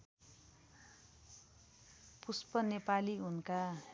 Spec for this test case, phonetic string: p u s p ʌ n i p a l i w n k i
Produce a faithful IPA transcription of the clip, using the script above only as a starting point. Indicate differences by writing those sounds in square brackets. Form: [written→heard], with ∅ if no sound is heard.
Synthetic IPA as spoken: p u s p ʌ n [i→e] p a l i [w→u] n k [i→a]